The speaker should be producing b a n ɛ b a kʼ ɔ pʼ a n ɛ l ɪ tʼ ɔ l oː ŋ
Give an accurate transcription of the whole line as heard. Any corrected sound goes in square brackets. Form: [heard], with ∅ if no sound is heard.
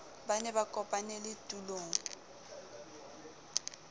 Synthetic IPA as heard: b a n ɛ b a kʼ ɔ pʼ a n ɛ l ɪ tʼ [u] l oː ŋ

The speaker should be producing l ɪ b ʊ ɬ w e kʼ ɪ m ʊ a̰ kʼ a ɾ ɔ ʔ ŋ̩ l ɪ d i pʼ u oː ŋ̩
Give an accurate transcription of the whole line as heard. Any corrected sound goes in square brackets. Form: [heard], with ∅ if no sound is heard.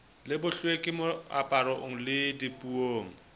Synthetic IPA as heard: l ɪ b ʊ ɬ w e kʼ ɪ m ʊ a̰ [pʼ] a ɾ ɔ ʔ ŋ̩ l ɪ d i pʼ u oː ŋ̩

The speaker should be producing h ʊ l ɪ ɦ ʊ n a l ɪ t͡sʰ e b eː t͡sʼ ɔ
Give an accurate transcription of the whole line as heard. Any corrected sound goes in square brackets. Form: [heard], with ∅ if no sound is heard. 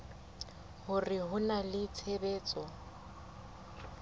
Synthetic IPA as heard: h ʊ [r] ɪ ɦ ʊ n a l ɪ t͡sʰ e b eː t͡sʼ ɔ

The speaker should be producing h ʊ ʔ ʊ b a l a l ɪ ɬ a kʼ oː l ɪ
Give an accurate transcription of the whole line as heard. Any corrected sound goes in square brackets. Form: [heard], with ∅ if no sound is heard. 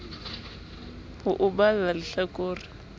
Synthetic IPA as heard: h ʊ ʔ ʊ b a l a l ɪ ɬ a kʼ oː [r] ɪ

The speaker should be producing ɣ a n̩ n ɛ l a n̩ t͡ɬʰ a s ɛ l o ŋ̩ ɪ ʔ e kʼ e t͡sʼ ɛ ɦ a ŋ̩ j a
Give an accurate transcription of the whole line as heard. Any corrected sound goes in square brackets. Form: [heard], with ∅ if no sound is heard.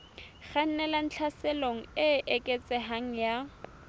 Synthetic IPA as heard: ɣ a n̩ n ɛ l a n̩ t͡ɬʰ a s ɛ l o ŋ̩ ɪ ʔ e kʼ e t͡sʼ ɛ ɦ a ŋ̩ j a

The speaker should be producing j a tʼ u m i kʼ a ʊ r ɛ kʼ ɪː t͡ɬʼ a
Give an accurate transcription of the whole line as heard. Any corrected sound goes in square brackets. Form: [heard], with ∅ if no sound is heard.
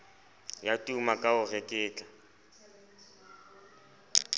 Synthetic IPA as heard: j a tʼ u m [a] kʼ a ʊ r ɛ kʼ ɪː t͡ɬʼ a

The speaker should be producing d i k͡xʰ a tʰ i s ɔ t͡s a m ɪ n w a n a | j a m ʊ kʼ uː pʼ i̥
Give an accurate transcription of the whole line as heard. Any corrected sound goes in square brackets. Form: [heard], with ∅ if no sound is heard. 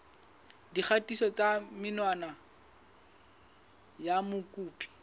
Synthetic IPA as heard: d i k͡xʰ a [t] i s ɔ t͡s a m ɪ n w a n a | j a m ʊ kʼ uː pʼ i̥

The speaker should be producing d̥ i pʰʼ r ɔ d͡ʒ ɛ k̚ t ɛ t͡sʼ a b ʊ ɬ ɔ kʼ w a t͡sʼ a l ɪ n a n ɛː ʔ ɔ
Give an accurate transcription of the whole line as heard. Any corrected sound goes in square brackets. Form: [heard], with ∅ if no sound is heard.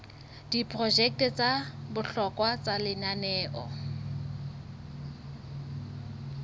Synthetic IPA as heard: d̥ i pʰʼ r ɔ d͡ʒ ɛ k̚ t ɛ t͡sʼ a b ʊ ɬ ɔ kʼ w a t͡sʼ a l ɪ n a n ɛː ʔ ɔ

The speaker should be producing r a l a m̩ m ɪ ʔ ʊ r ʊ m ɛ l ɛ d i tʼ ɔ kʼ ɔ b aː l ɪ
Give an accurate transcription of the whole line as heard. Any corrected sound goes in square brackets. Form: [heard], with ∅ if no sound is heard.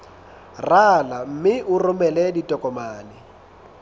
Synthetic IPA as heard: r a l a m̩ m ɪ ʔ ʊ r ʊ m ɛ l ɛ d i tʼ ɔ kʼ ɔ [m] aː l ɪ

